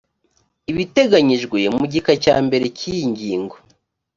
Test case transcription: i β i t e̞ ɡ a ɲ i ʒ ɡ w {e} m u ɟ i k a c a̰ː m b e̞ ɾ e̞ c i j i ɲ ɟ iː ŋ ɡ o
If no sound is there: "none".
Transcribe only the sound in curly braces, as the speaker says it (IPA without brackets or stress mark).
e